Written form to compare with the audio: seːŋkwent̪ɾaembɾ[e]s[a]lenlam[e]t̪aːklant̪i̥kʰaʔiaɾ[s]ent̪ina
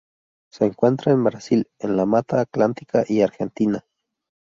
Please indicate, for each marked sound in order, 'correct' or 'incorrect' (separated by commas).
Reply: incorrect, incorrect, incorrect, incorrect